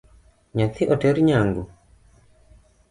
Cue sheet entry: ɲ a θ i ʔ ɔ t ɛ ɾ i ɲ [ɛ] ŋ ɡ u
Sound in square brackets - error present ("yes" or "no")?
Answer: yes